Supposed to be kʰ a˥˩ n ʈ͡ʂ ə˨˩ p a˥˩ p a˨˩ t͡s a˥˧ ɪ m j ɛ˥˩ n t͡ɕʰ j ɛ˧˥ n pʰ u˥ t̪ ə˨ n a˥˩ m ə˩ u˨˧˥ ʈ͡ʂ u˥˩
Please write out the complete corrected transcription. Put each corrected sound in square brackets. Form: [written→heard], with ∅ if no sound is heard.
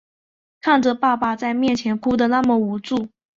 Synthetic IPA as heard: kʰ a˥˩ n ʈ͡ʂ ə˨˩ p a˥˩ p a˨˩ t͡s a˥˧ ɪ m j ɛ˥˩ n t͡ɕʰ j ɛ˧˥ n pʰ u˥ [t̪→d̪] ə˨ n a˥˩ m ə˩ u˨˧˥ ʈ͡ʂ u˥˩